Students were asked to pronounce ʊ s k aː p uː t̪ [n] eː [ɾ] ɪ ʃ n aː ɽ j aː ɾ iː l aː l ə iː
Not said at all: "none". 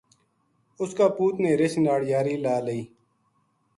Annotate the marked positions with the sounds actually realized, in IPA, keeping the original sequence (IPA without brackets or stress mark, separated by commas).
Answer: n, ɾ